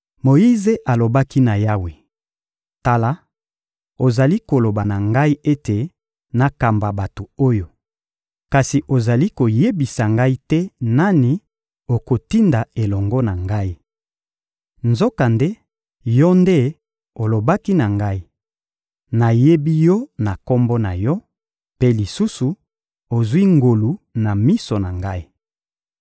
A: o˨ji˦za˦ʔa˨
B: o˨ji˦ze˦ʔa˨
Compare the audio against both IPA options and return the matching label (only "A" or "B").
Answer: B